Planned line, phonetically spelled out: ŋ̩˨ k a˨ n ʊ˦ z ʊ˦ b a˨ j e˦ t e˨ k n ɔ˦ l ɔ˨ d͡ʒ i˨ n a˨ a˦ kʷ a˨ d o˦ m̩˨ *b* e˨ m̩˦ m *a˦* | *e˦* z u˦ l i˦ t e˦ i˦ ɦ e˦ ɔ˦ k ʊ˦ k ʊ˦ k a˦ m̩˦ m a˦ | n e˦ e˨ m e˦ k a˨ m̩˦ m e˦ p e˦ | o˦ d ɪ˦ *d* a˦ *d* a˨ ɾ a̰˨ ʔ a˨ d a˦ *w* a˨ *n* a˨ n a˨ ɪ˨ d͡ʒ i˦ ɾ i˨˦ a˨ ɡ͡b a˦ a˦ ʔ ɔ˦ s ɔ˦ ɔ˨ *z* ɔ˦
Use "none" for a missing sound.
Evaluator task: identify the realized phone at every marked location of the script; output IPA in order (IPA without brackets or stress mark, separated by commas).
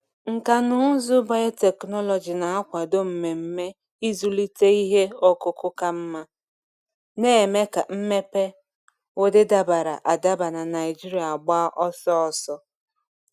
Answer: m, e˦, i˦, d, b, b, n, s